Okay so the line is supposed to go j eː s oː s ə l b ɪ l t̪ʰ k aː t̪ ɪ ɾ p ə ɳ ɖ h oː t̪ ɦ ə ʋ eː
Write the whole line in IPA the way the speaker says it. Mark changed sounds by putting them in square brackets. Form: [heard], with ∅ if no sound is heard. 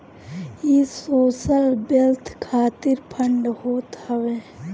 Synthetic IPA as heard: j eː s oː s ə l b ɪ l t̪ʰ [kʰ] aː t̪ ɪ ɾ [pʰ] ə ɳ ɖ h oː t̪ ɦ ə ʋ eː

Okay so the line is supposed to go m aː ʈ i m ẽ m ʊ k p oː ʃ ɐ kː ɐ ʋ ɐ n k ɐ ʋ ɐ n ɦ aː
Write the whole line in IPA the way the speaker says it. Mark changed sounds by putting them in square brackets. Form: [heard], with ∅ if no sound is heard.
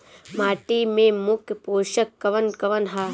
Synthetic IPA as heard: m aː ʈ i m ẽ m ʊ k p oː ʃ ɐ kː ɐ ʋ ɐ n k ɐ ʋ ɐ n ɦ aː

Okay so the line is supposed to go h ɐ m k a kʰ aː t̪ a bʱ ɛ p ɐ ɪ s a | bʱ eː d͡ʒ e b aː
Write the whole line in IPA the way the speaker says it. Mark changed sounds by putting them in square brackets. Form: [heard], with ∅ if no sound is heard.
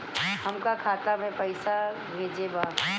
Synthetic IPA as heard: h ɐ m k a kʰ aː t̪ a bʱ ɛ p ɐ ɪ s a | bʱ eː d͡ʒ e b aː

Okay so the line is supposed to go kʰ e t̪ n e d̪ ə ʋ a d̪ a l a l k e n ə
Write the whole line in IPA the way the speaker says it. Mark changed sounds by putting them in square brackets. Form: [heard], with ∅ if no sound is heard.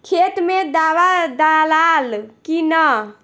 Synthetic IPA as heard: kʰ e t̪ [m] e d̪ [a] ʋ a d̪ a l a l k [i] n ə

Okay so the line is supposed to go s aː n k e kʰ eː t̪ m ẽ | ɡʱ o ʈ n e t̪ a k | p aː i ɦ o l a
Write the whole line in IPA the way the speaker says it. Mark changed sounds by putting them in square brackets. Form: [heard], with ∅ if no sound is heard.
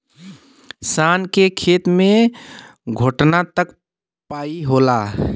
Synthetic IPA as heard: s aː n k e kʰ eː t̪ m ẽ | ɡʱ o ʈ n [a] t̪ [ə] k | p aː i ɦ o l a

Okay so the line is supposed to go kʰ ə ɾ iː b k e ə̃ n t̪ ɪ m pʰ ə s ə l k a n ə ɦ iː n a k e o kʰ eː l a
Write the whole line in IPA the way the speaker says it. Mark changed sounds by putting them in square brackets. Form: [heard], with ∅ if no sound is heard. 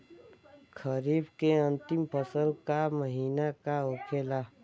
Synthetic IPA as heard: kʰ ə ɾ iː b k e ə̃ n t̪ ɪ m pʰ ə s ə l k a [m] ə ɦ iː n a k [a] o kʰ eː l a

